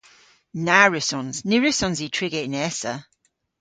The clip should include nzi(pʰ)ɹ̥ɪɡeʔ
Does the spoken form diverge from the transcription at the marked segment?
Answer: yes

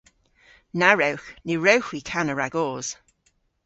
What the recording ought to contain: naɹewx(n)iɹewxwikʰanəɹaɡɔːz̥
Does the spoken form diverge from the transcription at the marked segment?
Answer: no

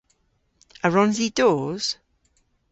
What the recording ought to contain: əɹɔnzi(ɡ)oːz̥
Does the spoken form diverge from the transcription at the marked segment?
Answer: yes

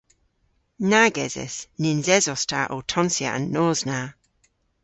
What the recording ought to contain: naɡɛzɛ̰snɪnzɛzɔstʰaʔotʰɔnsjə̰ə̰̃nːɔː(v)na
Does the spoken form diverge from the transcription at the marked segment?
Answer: yes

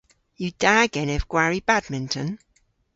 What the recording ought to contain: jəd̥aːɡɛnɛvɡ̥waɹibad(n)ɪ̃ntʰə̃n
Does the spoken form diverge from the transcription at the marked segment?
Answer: yes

